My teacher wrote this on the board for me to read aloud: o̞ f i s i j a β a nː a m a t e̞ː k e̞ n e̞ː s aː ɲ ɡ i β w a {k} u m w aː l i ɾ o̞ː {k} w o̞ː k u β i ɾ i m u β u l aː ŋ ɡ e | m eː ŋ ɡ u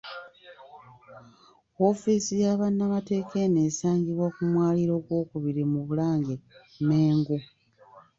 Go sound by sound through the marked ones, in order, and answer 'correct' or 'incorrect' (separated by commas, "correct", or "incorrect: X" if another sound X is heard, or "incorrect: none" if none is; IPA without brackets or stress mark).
correct, incorrect: ɡ